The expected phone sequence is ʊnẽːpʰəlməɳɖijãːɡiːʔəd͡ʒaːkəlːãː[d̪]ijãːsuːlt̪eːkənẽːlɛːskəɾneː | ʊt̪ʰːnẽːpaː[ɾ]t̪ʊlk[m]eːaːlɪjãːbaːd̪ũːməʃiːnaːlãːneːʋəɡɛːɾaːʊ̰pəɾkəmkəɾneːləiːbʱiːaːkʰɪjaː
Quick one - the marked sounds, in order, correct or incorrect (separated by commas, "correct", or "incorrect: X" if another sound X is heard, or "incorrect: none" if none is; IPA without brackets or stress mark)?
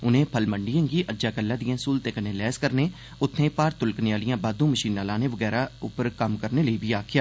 correct, correct, incorrect: n